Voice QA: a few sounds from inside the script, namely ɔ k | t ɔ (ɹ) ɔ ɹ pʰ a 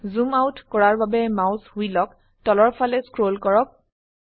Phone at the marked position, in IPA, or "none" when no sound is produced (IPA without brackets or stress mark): l